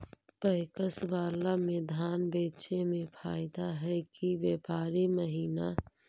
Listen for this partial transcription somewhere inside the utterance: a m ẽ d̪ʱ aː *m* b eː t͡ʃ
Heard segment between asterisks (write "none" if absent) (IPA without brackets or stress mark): n